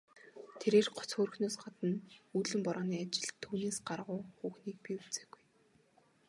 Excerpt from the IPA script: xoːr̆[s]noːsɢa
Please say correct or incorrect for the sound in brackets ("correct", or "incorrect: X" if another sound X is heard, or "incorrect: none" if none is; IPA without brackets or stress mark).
incorrect: x